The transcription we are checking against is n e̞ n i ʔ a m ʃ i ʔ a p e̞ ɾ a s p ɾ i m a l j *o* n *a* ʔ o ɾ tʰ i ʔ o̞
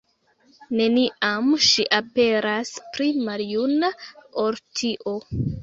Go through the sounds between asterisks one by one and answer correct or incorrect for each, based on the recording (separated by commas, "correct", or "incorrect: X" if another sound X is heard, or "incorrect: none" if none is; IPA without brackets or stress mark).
incorrect: u, correct